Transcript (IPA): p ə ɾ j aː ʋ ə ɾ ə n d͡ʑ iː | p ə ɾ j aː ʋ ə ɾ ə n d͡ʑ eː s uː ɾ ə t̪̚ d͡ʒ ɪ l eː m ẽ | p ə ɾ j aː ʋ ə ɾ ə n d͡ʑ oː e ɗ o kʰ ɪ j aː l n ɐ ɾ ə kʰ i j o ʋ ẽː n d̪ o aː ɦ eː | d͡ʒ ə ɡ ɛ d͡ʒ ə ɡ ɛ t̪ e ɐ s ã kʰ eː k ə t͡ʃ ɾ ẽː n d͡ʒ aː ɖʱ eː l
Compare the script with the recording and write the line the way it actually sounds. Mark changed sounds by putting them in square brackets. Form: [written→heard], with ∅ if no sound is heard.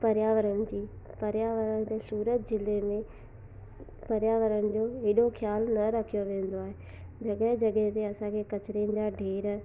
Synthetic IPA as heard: p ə ɾ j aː ʋ ə ɾ ə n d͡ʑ iː | p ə ɾ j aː ʋ ə ɾ ə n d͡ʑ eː s uː ɾ ə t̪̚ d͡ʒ ɪ l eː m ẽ | p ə ɾ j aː ʋ ə ɾ ə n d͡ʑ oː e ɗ o kʰ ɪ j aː l n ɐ ɾ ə kʰ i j o ʋ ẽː n d̪ o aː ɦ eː | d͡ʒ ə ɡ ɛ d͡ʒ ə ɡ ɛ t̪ e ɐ s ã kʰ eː k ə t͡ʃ ɾ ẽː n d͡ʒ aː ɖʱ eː [l→ɾ]

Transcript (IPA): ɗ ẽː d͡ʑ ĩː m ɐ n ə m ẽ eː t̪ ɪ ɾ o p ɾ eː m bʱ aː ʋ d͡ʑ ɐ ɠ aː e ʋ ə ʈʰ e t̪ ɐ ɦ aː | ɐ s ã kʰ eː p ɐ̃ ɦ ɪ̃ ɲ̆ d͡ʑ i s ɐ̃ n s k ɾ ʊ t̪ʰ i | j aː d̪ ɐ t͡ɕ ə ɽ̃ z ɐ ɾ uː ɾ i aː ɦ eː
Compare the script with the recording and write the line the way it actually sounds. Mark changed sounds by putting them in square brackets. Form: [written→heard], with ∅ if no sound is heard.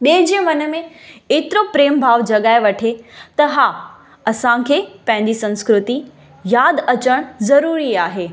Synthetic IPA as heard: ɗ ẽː d͡ʑ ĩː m ɐ n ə m ẽ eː t̪ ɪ ɾ o p ɾ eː m bʱ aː ʋ d͡ʑ ɐ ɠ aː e ʋ [ə→ɐ] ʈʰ e t̪ ɐ ɦ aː | ɐ s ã kʰ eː p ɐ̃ ɦ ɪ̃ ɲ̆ d͡ʑ i s ɐ̃ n s k ɾ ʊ [t̪ʰ→t̪] i | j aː d̪ ɐ t͡ɕ ə ɽ̃ z ɐ ɾ uː ɾ i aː ɦ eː

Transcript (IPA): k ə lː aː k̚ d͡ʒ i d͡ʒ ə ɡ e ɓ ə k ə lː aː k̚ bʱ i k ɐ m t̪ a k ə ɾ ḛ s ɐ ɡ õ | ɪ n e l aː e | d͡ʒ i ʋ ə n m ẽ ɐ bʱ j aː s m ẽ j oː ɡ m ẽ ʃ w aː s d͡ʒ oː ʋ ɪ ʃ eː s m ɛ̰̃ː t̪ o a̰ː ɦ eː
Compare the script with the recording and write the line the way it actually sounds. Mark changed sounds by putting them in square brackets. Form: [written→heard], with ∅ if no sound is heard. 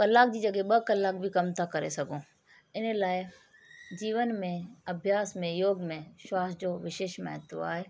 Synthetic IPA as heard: k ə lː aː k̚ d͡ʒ i d͡ʒ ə ɡ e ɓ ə k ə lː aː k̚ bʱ i k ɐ m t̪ a k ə ɾ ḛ s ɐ ɡ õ | ɪ n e l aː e | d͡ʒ [i→iː] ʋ ə n m ẽ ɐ bʱ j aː s m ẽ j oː ɡ m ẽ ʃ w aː s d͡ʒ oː ʋ ɪ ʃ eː [s→ʃ] m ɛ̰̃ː t̪ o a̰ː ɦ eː

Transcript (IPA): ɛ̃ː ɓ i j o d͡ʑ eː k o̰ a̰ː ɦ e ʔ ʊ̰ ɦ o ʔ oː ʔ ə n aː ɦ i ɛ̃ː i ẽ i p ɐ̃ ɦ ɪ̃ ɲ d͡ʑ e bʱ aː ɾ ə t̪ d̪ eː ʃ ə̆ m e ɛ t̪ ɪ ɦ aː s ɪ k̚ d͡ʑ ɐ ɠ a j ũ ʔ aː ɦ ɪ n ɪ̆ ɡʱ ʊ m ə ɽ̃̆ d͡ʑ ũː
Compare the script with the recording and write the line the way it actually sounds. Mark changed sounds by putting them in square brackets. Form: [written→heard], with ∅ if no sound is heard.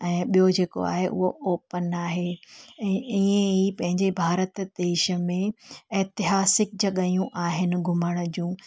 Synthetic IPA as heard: ɛ̃ː ɓ i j o d͡ʑ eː k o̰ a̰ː ɦ e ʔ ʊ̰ ɦ o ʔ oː [ʔ→p] ə n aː ɦ [i→e] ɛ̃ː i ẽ i p ɐ̃ ɦ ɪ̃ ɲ d͡ʑ e bʱ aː ɾ ə t̪ d̪ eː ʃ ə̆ m [e→ẽ] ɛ t̪ ɪ ɦ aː s ɪ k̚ d͡ʑ ɐ ɠ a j ũ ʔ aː ɦ ɪ n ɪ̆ ɡʱ ʊ m ə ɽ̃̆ d͡ʑ ũː

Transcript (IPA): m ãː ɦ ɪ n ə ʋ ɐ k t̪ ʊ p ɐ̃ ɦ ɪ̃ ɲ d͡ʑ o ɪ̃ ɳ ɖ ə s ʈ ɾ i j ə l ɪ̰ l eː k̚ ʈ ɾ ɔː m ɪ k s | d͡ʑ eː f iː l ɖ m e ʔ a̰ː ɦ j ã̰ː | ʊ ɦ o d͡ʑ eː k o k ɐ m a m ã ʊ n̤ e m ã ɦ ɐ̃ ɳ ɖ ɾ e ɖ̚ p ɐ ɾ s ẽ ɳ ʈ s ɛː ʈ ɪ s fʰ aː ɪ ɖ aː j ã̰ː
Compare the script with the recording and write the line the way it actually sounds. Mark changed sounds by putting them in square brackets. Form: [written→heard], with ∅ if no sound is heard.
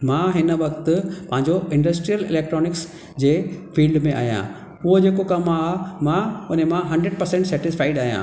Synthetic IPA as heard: m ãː ɦ ɪ n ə ʋ ɐ k t̪ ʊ p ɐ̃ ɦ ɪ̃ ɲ d͡ʑ o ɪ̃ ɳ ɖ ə s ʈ ɾ i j ə l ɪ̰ l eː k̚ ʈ ɾ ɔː [m→n] ɪ k s | d͡ʑ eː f iː l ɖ m [e→ẽ] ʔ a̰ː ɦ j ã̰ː | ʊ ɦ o d͡ʑ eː k o k ɐ m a m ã ʊ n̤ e m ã ɦ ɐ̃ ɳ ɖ ɾ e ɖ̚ p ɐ ɾ s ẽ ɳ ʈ s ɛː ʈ ɪ s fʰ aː ɪ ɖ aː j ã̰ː

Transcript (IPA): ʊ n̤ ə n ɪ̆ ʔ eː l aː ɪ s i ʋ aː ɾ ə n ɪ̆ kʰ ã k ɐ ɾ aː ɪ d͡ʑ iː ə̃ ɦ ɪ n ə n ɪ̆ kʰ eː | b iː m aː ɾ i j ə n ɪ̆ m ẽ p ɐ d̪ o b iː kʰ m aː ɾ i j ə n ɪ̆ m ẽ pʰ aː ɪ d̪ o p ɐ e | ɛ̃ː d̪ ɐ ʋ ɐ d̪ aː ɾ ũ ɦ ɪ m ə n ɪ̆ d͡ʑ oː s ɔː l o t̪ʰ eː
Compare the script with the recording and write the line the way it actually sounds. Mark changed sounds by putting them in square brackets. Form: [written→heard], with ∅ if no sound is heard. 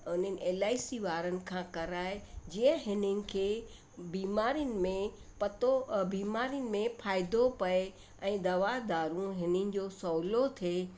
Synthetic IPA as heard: ʊ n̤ ə n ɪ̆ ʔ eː l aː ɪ s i ʋ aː ɾ ə n ɪ̆ kʰ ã k ɐ ɾ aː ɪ d͡ʑ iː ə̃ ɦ ɪ n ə n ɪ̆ kʰ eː | b iː m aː ɾ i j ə n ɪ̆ m ẽ p ɐ [d̪→t̪] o b iː [kʰ→∅] m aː ɾ i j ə n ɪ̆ m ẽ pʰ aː ɪ d̪ o p ɐ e | ɛ̃ː d̪ ɐ ʋ [ɐ→a] d̪ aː ɾ ũ ɦ ɪ [m→n] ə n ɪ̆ d͡ʑ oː s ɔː l o t̪ʰ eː

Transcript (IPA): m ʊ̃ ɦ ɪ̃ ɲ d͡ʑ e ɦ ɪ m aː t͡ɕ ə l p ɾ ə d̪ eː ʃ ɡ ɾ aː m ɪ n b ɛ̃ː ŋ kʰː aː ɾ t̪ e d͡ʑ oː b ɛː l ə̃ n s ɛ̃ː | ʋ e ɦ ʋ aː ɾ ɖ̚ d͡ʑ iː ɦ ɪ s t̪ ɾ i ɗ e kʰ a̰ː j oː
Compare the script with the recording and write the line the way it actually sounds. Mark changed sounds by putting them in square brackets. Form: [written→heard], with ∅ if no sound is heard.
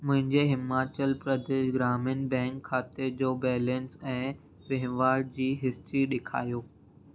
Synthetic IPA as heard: m ʊ̃ ɦ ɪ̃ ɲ d͡ʑ e ɦ ɪ m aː t͡ɕ ə l p ɾ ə d̪ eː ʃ ɡ ɾ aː m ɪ n b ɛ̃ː ŋ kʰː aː [ɾ→∅] t̪ e d͡ʑ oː b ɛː l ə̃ n s ɛ̃ː | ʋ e ɦ ʋ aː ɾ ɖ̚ d͡ʑ iː ɦ ɪ s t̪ ɾ i ɗ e kʰ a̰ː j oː

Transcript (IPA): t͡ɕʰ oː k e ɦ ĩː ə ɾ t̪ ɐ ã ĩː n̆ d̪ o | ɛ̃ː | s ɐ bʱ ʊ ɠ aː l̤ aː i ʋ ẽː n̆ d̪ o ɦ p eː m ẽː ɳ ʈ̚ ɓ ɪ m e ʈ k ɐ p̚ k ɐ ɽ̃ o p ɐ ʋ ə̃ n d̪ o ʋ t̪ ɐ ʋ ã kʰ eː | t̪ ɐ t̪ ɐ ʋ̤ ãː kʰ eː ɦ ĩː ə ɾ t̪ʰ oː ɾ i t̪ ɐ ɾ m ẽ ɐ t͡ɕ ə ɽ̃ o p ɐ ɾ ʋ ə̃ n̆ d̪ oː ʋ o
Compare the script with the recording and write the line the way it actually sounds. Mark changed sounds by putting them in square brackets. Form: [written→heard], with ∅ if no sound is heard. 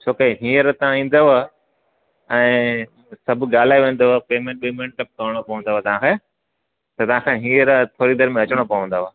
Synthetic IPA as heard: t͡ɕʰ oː k e ɦ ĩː ə ɾ t̪ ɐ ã ĩː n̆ d̪ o | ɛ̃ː | s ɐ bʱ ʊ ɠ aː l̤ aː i ʋ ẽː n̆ d̪ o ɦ p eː m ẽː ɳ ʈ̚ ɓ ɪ m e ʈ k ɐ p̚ k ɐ ɽ̃ o p ɐ ʋ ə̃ n d̪ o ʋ t̪ ɐ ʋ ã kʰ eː | t̪ ɐ t̪ ɐ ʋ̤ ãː kʰ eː ɦ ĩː ə ɾ t̪ʰ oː ɾ i [t̪→d̪] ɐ ɾ m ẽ ɐ t͡ɕ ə ɽ̃ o p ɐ [ɾ→∅] ʋ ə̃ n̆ d̪ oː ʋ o

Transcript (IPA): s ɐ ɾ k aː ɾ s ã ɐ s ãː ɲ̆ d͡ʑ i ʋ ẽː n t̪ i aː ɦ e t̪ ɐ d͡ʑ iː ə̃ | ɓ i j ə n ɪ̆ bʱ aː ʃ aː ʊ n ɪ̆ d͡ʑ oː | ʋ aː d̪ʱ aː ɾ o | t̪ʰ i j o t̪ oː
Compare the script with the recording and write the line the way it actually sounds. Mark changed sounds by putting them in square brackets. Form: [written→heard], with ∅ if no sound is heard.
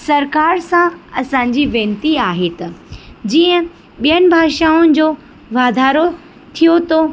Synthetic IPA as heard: s ɐ ɾ k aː ɾ s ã ɐ s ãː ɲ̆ d͡ʑ i ʋ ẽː n t̪ i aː ɦ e t̪ ɐ d͡ʑ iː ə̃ | ɓ i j ə n ɪ̆ bʱ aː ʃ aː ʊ n ɪ̆ d͡ʑ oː | ʋ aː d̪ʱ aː ɾ o | t̪ʰ i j o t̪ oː

